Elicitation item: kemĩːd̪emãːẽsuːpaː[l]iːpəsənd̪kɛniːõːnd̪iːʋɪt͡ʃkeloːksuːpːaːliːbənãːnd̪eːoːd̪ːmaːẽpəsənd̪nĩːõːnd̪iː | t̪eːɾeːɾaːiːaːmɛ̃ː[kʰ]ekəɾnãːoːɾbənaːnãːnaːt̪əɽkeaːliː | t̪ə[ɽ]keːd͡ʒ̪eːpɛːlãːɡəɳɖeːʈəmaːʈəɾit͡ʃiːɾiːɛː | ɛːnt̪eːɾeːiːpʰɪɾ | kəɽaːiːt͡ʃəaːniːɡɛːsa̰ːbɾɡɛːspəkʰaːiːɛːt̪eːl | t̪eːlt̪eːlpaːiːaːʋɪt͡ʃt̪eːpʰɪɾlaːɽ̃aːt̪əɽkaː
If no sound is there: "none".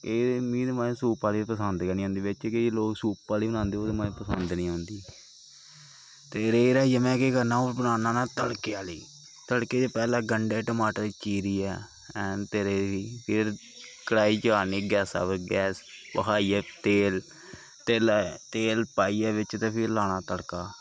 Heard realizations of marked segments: l, k, ɽ

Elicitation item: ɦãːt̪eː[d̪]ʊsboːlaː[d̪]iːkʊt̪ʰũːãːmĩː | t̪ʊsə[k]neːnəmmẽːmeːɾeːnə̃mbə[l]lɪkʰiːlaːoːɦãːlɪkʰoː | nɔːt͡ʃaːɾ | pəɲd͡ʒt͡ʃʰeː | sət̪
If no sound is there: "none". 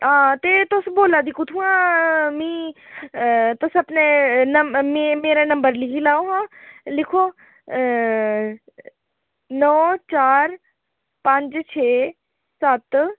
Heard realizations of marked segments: t̪, d̪, p, ɾ

